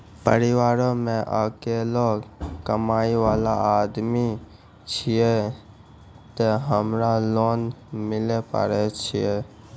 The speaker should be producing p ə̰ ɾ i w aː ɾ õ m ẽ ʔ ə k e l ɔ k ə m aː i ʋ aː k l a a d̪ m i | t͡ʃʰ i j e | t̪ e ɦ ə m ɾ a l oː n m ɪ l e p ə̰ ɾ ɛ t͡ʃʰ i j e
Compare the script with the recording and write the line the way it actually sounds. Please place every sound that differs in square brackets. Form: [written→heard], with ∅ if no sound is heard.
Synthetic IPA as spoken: p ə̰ ɾ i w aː ɾ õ m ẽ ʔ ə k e l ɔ k ə m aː i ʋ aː [k→∅] l a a d̪ m i | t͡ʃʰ i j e | t̪ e ɦ ə m ɾ a l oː n m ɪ l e p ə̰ ɾ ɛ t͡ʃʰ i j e